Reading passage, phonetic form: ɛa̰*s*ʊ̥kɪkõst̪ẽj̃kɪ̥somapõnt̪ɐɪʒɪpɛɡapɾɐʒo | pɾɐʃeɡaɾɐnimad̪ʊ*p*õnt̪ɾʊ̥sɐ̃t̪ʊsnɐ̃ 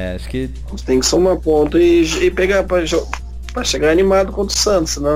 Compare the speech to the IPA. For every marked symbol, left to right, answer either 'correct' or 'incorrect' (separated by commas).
incorrect, incorrect